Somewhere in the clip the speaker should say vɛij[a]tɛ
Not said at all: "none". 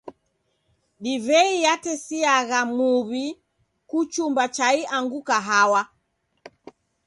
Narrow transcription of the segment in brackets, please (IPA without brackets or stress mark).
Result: a